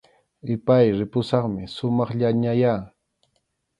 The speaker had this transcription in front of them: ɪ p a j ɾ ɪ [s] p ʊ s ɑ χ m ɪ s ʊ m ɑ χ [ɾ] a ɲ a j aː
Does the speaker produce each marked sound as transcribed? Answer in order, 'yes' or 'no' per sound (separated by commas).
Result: no, no